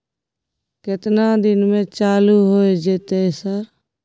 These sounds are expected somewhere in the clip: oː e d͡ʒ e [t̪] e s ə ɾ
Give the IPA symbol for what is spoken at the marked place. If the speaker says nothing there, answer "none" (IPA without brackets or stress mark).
t̪